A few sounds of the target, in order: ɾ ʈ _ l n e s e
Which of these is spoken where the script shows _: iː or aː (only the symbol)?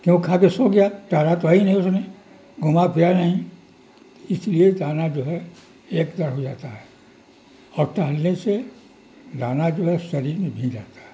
aː